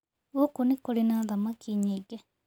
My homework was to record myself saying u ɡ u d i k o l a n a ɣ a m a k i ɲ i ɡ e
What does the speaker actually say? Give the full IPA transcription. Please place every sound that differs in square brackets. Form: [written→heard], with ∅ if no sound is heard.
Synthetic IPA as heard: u [ɡ→k] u [d→n] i k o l [a→i] n a [ɣ→ð] a m a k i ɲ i ɡ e